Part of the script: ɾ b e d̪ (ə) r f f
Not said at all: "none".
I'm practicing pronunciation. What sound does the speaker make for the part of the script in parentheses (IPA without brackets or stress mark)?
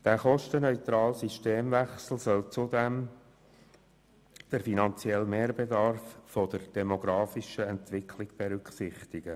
ɑ